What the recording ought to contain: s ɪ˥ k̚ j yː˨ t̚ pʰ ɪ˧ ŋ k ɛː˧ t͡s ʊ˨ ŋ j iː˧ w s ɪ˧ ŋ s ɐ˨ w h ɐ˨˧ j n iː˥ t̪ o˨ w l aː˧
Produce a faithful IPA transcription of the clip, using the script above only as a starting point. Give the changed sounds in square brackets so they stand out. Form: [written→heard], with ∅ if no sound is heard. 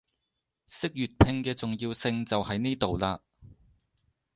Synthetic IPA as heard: s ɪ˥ k̚ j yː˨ t̚ pʰ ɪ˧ ŋ k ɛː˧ t͡s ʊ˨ ŋ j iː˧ w s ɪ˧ ŋ [s→t͡s] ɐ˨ w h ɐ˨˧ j n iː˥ t̪ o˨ w l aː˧